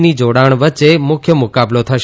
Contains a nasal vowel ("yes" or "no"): no